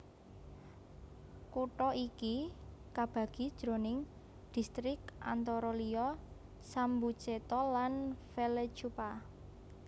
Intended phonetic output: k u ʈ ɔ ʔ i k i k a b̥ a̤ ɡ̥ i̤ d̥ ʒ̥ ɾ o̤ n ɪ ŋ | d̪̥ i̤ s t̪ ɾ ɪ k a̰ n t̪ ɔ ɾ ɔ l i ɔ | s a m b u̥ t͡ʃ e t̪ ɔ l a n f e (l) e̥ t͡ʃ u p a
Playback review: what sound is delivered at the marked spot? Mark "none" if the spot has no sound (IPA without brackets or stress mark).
l